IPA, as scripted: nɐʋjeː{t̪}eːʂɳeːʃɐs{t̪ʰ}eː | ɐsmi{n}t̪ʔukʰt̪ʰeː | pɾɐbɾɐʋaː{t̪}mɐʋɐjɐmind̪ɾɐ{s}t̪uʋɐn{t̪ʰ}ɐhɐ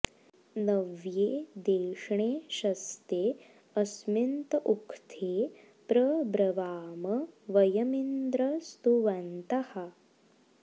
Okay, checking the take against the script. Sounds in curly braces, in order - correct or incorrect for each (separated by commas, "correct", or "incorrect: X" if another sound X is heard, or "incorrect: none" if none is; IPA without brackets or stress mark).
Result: incorrect: d̪, incorrect: t̪, correct, incorrect: none, correct, incorrect: t̪